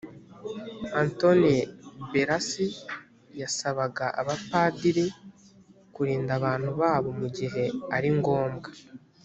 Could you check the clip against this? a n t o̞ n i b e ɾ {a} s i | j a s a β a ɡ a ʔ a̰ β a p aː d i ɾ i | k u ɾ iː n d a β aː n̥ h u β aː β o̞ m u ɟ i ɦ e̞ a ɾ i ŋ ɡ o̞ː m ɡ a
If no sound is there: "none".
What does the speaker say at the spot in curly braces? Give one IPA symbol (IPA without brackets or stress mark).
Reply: a